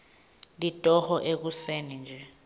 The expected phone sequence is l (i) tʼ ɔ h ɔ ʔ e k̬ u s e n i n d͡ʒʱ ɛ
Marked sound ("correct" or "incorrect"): correct